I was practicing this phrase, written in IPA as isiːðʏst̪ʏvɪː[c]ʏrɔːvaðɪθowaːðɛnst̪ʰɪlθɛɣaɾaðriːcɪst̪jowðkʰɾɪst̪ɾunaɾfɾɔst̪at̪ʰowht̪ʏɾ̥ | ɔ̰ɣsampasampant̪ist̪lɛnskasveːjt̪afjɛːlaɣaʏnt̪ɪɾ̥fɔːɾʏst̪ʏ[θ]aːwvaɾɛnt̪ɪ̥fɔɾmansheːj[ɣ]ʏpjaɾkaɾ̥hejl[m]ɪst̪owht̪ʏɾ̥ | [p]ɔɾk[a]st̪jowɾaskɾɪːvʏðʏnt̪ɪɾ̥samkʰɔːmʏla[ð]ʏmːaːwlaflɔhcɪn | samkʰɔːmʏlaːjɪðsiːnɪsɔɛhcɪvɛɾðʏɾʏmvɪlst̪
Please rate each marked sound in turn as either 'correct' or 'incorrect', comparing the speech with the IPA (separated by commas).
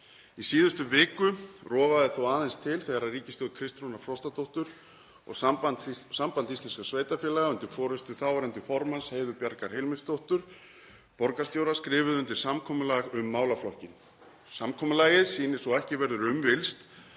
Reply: incorrect, correct, incorrect, correct, correct, correct, incorrect